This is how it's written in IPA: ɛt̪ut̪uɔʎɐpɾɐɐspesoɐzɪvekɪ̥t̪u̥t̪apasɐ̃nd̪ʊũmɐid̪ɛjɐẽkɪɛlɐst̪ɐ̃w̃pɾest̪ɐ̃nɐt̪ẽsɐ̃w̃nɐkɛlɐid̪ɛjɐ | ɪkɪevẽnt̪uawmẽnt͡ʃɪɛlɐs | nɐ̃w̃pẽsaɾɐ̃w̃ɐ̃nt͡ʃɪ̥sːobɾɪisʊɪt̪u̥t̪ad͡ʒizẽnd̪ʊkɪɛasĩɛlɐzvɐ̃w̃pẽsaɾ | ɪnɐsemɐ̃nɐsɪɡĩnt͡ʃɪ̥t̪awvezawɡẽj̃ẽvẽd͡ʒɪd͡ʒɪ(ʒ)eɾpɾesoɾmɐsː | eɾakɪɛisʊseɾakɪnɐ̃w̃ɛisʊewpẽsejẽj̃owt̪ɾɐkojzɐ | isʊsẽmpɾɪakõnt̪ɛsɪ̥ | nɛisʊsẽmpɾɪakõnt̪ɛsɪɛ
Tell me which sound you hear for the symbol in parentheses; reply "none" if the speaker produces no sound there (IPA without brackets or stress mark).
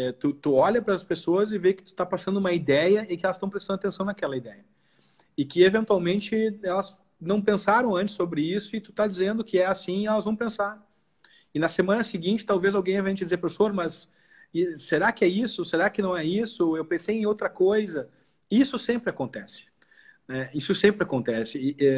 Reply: z